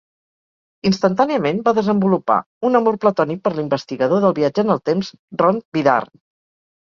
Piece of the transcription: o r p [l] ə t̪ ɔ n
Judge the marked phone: correct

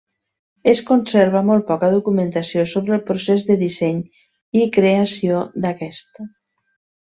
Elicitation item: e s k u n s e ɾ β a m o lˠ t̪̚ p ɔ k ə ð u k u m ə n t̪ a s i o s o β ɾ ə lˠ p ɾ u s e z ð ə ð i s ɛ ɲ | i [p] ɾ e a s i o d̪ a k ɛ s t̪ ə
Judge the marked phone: incorrect: k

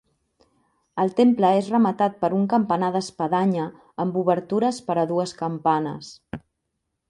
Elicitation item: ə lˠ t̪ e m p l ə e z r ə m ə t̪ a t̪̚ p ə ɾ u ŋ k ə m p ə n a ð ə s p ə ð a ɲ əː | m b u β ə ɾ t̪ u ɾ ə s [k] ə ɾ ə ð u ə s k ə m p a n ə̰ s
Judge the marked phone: incorrect: p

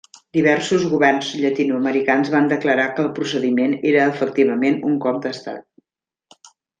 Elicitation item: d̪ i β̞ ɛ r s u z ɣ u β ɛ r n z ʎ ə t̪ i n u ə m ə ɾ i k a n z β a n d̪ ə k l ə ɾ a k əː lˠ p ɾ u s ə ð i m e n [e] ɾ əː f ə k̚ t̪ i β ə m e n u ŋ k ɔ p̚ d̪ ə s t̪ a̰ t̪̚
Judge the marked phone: correct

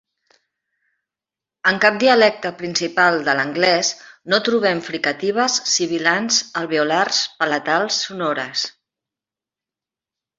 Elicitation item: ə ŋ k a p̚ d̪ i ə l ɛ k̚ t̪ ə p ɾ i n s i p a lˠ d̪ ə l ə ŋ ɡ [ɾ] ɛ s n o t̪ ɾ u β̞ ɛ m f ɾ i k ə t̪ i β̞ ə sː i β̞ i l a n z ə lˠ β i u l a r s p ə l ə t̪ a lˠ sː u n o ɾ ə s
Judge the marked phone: incorrect: l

